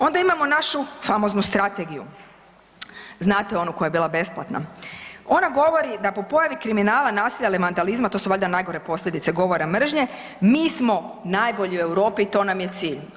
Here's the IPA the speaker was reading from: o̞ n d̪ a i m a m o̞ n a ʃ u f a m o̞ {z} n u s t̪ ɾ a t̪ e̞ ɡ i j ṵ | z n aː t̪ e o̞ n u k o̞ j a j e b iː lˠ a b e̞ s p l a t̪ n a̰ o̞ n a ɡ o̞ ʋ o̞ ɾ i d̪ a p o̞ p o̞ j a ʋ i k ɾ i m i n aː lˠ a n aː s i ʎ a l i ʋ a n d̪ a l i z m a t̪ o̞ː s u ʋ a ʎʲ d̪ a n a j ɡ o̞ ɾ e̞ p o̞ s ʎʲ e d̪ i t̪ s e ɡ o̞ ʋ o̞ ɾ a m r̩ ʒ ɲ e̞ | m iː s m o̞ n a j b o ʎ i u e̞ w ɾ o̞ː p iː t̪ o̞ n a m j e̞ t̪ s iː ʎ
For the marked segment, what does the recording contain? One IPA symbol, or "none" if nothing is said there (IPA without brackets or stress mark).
z